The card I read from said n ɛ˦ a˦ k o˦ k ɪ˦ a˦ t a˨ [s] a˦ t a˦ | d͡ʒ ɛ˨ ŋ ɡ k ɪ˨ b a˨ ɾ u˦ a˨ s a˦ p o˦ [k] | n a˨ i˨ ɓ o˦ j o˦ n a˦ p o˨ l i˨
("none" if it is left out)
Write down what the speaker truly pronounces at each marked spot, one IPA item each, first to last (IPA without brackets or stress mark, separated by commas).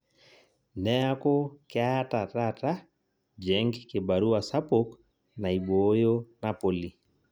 t, k